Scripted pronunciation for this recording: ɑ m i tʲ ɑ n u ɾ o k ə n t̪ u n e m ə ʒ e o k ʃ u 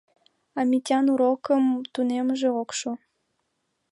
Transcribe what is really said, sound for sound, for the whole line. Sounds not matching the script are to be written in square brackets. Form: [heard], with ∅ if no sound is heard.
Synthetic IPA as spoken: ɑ m i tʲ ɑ n u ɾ o k ə [m] t̪ u n e m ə ʒ e o k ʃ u